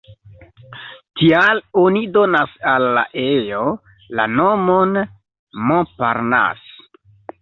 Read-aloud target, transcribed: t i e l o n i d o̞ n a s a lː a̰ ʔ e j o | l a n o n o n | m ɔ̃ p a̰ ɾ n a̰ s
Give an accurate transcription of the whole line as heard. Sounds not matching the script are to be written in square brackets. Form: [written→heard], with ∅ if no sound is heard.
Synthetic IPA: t i [e→a] l o n i d o̞ n a s a lː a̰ ʔ e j o | l a n o [n→m] o n | m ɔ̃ p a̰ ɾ n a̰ s